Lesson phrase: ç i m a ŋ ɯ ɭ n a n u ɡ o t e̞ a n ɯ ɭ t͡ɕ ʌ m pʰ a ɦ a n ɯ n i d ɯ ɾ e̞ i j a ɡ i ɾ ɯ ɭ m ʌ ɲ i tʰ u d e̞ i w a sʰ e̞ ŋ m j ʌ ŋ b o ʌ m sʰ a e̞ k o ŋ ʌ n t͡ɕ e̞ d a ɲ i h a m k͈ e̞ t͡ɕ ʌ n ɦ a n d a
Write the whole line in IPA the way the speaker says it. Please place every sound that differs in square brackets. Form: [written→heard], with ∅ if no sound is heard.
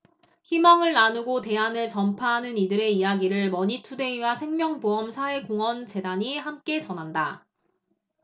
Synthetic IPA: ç i m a ŋ ɯ ɭ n a n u ɡ o t e̞ a n ɯ ɭ t͡ɕ ʌ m pʰ a ɦ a n ɯ n i d ɯ ɾ e̞ i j a ɡ i ɾ ɯ ɭ m ʌ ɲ i tʰ u d e̞ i w a sʰ e̞ ŋ m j ʌ ŋ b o ʌ m sʰ a e̞ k o ŋ ʌ n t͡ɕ e̞ d a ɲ i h a m k͈ e̞ t͡ɕ ʌ n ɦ a n d a

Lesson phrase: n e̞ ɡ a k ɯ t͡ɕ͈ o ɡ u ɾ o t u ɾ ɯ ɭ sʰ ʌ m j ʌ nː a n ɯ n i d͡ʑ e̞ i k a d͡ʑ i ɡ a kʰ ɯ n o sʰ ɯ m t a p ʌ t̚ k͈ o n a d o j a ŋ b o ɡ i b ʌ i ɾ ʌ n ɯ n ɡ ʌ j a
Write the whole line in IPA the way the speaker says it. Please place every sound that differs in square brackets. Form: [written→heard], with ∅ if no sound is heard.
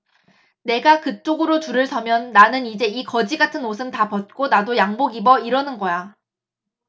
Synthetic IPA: n e̞ ɡ a k ɯ t͡ɕ͈ o ɡ [u→ɯ] ɾ o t u ɾ ɯ ɭ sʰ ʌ m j ʌ nː a n ɯ n i d͡ʑ e̞ i k [a→ʌ] d͡ʑ i ɡ a [kʰ→tʰ] ɯ n o sʰ ɯ m t a p ʌ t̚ k͈ o n a d o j a ŋ b o ɡ i b ʌ i ɾ ʌ n ɯ n ɡ ʌ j a

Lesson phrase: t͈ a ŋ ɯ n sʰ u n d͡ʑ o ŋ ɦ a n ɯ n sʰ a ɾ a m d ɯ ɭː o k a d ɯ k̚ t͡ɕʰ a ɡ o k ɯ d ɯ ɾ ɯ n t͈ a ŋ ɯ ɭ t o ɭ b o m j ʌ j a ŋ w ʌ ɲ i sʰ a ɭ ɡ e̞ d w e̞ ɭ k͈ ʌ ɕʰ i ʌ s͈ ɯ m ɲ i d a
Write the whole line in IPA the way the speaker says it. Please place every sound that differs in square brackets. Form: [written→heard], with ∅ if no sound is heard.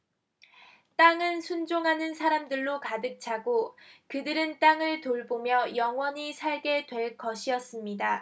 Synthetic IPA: t͈ a ŋ ɯ n sʰ u n d͡ʑ o ŋ ɦ a n ɯ n sʰ a ɾ a m d ɯ ɭː o k a d ɯ k̚ t͡ɕʰ a ɡ o k ɯ d ɯ ɾ ɯ n t͈ a ŋ ɯ ɭ t o ɭ b o m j ʌ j [a→ʌ] ŋ w ʌ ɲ i sʰ a ɭ ɡ e̞ d w e̞ ɭ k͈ ʌ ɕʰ i ʌ s͈ ɯ m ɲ i d a

